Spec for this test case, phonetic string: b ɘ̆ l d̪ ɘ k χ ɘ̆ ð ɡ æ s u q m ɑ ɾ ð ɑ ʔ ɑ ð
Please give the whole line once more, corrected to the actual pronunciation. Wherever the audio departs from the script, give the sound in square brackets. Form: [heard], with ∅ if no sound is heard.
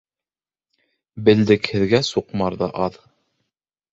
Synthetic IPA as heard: b ɘ̆ l d̪ ɘ k [h] ɘ̆ ð ɡ æ s u q m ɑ ɾ ð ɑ ʔ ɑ ð

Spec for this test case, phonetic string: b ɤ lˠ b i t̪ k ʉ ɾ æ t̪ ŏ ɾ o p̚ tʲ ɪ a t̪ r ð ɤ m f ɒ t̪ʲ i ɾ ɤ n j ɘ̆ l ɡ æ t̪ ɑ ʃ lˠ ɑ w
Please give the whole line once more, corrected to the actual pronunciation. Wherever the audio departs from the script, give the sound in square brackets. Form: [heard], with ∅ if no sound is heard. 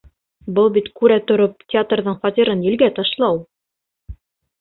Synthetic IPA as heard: b ɤ lˠ b i t̪ k ʉ ɾ æ t̪ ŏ ɾ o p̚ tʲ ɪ a t̪ r ð ɤ [ɴ] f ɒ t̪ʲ i ɾ ɤ n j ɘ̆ l ɡ æ t̪ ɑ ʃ lˠ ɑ w

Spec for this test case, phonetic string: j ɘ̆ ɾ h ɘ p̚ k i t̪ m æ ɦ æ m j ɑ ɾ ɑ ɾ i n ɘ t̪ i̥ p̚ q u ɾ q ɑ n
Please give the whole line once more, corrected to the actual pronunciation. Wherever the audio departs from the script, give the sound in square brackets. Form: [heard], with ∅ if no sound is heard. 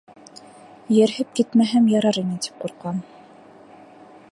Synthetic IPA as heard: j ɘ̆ ɾ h ɘ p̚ k i t̪ m æ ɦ æ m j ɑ ɾ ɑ ɾ i n ɘ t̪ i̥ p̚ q u ɾ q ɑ n

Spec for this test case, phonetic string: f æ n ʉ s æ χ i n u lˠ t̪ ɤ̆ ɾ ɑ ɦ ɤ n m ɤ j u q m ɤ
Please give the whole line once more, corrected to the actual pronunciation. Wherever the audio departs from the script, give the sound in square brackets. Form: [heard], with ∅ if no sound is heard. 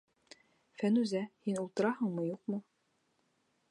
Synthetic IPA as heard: f æ n ʉ [z] æ [h] i n u lˠ t̪ ɤ̆ ɾ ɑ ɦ ɤ [ɴ] m ɤ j u q m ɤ

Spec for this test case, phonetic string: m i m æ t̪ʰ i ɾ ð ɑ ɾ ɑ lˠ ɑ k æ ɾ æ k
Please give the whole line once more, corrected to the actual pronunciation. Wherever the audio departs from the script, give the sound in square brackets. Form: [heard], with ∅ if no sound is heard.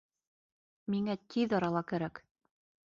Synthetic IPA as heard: m i [ŋ] æ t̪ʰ i [∅] ð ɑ ɾ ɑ lˠ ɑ k æ ɾ æ k

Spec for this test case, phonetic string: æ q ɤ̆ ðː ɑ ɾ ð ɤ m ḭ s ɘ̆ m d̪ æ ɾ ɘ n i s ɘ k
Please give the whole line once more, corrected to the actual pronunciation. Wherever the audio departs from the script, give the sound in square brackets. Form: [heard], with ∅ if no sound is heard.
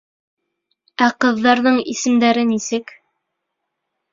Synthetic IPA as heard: æ q ɤ̆ ðː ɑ ɾ ð ɤ [ɴ] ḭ s ɘ̆ m d̪ æ ɾ ɘ n i s ɘ k

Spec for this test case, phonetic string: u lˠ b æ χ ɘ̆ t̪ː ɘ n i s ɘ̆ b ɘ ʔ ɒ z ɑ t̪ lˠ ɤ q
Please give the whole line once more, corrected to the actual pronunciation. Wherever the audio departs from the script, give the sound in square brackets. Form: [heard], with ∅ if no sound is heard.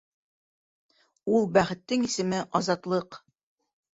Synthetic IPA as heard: u lˠ b æ χ ɘ̆ t̪ː ɘ [ŋ] i s ɘ̆ [m] ɘ ʔ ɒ z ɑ t̪ lˠ ɤ q

